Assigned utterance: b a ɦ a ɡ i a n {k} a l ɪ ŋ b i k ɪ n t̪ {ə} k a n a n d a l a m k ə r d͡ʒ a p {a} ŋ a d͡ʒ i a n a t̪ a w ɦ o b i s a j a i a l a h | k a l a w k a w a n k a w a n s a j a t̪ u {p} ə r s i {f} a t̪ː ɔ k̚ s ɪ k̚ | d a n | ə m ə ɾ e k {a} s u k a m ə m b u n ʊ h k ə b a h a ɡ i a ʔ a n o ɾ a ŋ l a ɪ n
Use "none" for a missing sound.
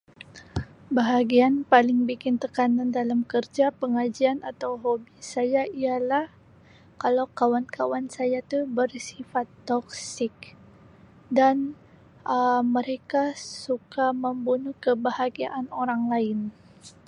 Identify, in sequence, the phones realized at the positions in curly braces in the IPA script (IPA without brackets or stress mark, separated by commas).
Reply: p, ə, ə, b, f, a